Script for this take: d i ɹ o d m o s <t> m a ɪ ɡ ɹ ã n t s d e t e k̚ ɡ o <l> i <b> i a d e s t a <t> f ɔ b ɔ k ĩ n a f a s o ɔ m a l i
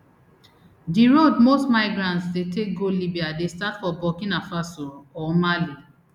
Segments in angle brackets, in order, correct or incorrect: correct, correct, correct, correct

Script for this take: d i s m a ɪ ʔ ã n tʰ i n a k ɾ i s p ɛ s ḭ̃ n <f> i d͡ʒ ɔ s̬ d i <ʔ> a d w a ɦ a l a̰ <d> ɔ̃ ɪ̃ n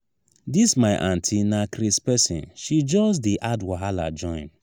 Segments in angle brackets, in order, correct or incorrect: incorrect: ʃ, correct, incorrect: d͡ʒ

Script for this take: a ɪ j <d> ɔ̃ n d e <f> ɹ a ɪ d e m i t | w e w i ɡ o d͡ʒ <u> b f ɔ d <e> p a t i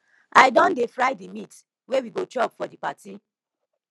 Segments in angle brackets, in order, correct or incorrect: correct, correct, incorrect: ɔ, incorrect: i

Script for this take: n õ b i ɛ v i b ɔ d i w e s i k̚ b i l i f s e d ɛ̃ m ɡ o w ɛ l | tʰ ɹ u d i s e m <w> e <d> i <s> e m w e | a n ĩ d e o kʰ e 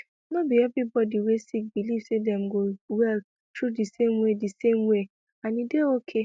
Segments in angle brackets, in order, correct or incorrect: correct, correct, correct

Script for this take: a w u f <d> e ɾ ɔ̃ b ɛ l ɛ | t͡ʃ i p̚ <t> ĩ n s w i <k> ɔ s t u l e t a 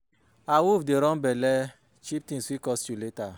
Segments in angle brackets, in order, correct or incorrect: correct, correct, correct

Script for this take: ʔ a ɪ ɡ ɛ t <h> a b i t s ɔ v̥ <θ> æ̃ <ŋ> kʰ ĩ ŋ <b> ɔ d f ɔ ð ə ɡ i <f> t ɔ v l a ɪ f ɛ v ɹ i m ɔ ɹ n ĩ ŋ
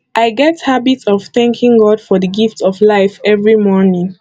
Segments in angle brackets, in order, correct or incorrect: correct, correct, correct, incorrect: ɡ, correct

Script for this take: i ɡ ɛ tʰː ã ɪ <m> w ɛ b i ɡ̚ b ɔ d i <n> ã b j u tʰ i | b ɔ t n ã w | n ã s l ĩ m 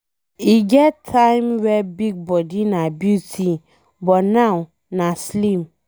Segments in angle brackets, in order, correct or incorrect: correct, correct

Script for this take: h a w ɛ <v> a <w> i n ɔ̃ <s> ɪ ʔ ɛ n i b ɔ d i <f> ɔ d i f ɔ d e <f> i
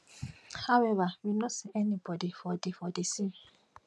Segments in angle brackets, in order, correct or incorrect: correct, correct, correct, correct, incorrect: s

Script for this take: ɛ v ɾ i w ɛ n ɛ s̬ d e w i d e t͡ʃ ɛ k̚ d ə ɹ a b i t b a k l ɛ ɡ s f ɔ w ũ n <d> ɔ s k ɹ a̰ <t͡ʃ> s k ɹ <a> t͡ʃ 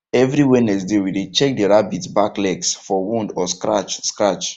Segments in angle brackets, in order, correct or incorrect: correct, correct, correct

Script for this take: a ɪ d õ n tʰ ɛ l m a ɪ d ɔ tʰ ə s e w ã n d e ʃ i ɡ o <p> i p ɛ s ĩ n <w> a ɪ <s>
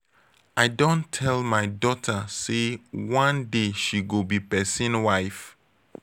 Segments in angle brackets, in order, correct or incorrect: incorrect: b, correct, incorrect: f

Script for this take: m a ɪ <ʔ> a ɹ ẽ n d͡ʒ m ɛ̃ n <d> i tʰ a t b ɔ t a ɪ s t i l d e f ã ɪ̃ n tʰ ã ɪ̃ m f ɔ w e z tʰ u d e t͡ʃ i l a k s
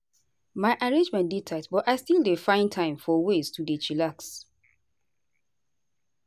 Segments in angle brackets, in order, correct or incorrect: correct, correct

